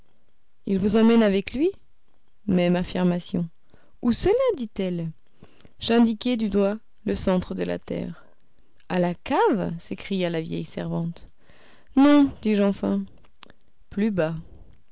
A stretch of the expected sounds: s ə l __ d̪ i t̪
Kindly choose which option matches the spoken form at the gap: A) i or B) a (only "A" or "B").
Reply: B